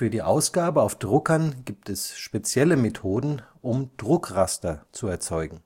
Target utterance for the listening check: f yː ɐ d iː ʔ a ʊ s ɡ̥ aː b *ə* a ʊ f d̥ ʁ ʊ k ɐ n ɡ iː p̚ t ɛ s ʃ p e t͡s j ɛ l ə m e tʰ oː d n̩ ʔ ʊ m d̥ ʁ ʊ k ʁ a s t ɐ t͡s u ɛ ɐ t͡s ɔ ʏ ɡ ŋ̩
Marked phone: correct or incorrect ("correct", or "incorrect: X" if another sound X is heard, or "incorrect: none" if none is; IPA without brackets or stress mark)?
correct